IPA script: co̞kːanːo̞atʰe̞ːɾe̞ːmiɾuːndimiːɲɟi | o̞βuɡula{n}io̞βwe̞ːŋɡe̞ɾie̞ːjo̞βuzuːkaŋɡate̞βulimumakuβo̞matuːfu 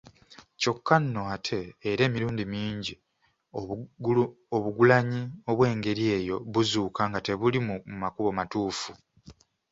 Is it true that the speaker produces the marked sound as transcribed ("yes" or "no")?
no